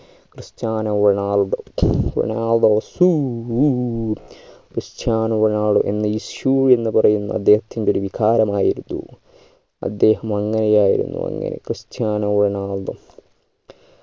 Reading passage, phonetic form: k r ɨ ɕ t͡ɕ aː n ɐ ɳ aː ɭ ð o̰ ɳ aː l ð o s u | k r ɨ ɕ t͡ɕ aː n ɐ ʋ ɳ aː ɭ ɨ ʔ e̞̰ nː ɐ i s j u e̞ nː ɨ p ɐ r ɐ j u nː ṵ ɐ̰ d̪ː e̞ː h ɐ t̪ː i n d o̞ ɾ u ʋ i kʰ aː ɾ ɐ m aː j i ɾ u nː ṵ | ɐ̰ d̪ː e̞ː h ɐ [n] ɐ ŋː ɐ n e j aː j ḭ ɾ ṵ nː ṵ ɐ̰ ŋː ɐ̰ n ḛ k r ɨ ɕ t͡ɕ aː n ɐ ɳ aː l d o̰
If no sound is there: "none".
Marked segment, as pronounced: m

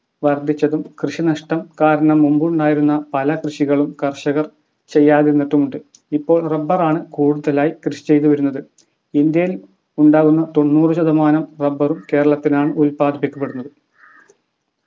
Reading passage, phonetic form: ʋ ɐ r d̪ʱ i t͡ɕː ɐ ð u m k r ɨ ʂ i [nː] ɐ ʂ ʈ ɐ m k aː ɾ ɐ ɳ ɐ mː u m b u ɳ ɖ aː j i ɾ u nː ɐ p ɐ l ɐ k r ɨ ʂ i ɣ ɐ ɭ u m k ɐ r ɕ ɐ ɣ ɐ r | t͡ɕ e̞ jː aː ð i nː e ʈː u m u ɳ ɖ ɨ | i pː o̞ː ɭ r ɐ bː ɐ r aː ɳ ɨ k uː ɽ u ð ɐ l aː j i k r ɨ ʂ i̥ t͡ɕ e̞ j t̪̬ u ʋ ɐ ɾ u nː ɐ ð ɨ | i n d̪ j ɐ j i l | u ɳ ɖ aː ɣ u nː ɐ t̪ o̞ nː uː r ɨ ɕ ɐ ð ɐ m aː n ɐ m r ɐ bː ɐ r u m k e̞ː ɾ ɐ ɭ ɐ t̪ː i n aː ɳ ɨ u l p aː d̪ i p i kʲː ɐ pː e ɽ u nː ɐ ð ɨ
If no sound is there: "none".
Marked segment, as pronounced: n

